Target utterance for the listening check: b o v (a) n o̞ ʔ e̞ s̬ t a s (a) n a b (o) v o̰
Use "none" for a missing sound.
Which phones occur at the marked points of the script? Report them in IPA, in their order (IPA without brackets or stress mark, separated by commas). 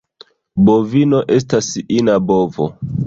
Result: i, i, o